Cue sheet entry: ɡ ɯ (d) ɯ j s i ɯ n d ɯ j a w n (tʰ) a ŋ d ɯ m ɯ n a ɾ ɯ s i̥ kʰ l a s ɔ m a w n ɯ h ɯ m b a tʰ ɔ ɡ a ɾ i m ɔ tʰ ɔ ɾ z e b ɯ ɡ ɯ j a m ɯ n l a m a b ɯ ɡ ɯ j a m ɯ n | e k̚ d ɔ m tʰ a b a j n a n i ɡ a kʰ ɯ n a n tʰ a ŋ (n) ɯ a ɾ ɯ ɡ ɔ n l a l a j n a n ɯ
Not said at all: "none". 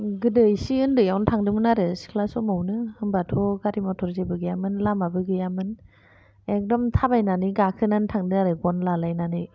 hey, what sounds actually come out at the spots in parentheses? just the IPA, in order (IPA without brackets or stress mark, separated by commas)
d, tʰ, d